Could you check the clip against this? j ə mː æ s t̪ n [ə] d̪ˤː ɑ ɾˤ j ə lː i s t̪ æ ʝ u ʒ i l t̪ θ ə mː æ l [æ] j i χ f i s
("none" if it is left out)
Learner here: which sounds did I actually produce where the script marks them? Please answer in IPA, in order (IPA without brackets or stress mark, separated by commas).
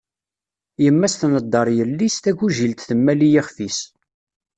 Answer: ə, i